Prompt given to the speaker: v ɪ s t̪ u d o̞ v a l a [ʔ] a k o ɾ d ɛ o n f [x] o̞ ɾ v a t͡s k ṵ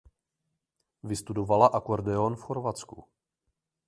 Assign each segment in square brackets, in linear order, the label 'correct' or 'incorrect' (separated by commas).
correct, correct